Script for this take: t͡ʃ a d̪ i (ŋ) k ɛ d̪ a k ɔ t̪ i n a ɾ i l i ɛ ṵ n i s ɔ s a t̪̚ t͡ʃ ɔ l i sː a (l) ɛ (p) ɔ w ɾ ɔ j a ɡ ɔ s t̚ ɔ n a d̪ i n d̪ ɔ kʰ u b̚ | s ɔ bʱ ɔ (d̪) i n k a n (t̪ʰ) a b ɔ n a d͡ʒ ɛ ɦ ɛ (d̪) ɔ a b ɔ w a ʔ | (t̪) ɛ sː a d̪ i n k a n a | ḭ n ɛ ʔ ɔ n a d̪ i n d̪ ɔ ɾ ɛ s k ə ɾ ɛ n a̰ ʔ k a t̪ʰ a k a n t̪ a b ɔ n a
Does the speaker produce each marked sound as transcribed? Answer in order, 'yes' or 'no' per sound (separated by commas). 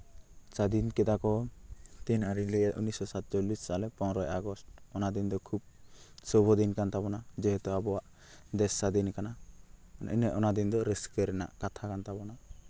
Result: no, yes, yes, yes, no, no, no